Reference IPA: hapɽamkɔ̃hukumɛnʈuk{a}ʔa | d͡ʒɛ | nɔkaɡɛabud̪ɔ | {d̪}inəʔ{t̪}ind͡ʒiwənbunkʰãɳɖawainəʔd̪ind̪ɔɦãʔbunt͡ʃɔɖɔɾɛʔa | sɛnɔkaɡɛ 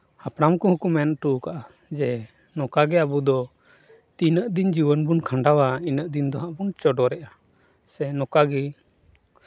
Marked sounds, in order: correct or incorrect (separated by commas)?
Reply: correct, incorrect, incorrect